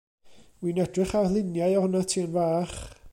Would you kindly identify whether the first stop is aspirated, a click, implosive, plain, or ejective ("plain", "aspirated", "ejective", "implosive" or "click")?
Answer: plain